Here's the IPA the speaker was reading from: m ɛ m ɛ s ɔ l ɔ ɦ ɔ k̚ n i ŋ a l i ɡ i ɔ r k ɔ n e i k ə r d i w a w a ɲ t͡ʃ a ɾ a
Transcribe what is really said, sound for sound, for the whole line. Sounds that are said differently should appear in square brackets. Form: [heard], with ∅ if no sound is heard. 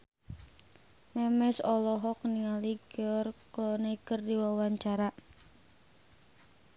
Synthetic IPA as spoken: m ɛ m ɛ s ɔ l ɔ ɦ ɔ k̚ n i ŋ a l i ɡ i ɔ r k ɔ n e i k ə r d i w a w a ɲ t͡ʃ a ɾ a